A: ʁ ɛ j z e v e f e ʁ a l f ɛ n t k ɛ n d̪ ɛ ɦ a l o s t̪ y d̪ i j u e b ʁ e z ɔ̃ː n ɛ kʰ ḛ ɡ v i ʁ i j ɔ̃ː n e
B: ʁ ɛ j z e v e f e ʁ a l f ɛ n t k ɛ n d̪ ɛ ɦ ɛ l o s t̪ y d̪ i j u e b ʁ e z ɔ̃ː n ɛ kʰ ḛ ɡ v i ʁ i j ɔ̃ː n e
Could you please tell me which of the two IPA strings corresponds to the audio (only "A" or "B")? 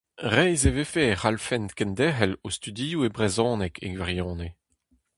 B